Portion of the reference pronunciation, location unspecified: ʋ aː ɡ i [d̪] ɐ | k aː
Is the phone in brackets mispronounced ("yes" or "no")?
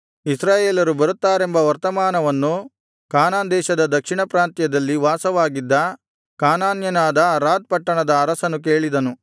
yes